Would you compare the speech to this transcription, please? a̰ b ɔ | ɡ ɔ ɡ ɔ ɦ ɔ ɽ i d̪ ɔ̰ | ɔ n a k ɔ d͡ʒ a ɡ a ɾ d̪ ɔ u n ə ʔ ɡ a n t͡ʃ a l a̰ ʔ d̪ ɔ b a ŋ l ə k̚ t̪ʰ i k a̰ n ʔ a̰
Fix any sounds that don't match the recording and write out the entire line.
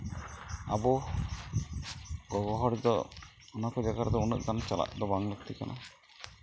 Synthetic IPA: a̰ b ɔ | ɡ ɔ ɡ ɔ ɦ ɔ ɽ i d̪ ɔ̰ | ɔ n a k ɔ d͡ʒ a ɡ a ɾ d̪ ɔ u n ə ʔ ɡ a n t͡ʃ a l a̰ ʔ d̪ ɔ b a ŋ l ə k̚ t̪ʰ i k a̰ n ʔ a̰